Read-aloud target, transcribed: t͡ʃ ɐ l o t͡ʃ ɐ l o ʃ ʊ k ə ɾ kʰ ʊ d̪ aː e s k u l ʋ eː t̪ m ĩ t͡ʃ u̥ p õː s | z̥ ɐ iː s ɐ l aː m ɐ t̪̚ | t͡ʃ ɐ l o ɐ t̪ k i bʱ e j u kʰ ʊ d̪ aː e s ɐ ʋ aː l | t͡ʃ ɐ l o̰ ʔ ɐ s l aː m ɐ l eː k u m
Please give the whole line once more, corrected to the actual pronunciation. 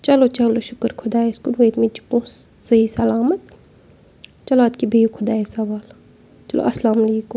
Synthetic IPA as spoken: t͡ʃ ɐ l o t͡ʃ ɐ l o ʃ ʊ k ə ɾ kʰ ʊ d̪ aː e s k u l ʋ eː t̪ m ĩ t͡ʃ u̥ p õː s | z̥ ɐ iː s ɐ l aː m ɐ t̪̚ | t͡ʃ ɐ l o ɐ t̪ k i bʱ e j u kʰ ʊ d̪ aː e s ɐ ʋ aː l | t͡ʃ ɐ l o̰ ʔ ɐ s l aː m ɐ l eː k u m